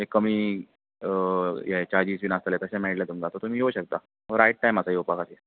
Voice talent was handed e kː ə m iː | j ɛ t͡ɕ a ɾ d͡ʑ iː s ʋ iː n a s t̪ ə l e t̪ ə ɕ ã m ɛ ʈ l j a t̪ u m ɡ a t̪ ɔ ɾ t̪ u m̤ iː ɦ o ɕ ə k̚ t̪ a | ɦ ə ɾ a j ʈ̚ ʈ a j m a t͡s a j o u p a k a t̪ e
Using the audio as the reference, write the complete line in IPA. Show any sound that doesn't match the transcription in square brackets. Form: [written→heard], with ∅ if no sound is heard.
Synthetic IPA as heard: e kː ə m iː | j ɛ t͡ɕ a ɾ d͡ʑ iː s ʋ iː n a s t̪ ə l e t̪ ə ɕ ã m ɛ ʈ l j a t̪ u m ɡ a t̪ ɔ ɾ t̪ u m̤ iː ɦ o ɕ ə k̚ t̪ a | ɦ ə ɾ a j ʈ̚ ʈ a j m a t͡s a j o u p a k a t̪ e